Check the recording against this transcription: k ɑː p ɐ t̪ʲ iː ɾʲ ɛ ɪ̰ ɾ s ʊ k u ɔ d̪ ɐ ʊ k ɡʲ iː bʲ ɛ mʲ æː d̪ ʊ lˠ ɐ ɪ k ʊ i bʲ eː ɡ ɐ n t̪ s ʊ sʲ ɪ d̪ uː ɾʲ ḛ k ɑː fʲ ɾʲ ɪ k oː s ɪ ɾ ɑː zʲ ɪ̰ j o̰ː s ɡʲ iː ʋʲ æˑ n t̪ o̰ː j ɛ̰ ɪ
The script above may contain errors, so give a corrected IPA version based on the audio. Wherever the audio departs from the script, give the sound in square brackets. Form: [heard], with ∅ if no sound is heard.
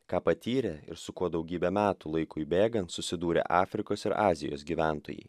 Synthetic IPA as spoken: k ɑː p ɐ t̪ʲ iː ɾʲ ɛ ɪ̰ ɾ s ʊ k u ɔ d̪ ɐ ʊ [∅] ɡʲ iː bʲ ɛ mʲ æː [t̪] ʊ lˠ ɐ ɪ k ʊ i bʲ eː ɡ ɐ n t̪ s ʊ sʲ ɪ d̪ uː ɾʲ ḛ [ʔ] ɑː fʲ ɾʲ ɪ k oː s ɪ ɾ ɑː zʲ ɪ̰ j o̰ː s ɡʲ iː ʋʲ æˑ n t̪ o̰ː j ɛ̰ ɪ